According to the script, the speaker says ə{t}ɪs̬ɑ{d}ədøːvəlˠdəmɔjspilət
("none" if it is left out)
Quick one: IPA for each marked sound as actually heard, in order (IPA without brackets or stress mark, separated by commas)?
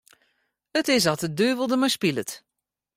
t, t